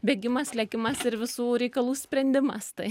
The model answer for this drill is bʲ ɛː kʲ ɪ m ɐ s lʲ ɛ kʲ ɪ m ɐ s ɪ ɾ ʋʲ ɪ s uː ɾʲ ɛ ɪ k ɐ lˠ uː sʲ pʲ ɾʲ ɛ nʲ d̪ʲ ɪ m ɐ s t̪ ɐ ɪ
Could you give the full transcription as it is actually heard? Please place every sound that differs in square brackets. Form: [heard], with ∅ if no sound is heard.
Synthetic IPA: bʲ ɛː [ɡʲ] ɪ m ɐ s lʲ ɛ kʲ ɪ m ɐ s ɪ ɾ ʋʲ ɪ s uː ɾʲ ɛ ɪ k ɐ lˠ uː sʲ pʲ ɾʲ ɛ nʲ d̪ʲ ɪ m ɐ s t̪ ɐ ɪ